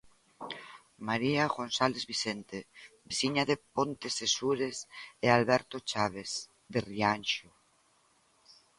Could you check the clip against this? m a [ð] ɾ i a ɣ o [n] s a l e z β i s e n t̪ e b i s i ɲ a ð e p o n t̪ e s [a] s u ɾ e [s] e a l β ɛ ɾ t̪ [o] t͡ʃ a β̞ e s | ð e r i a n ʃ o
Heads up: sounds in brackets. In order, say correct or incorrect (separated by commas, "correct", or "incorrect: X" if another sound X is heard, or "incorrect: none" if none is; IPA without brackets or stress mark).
incorrect: none, correct, incorrect: e, correct, correct